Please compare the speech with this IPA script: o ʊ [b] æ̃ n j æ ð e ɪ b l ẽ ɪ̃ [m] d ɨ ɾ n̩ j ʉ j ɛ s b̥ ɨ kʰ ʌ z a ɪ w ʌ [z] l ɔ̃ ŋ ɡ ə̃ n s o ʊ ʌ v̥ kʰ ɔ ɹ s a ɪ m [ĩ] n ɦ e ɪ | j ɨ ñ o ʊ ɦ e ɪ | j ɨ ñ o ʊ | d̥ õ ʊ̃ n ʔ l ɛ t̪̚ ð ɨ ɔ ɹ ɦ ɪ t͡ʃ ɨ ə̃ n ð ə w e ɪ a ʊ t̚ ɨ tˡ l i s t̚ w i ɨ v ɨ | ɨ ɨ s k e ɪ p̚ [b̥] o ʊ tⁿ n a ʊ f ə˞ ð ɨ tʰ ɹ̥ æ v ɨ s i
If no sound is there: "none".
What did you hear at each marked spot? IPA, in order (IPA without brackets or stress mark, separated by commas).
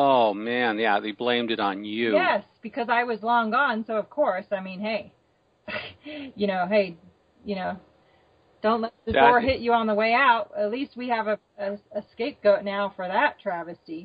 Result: m, m, z, ĩ, ɡ̥